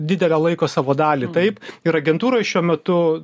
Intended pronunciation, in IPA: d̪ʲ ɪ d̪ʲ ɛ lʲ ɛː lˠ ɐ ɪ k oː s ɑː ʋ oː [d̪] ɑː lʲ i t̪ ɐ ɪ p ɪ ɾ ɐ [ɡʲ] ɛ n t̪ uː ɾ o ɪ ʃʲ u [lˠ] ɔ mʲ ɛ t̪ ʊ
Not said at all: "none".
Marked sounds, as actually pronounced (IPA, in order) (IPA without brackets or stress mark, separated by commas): d̪, ɡʲ, none